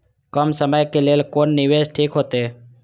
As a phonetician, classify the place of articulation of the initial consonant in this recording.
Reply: velar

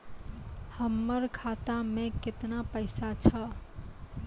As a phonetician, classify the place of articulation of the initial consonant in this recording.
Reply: glottal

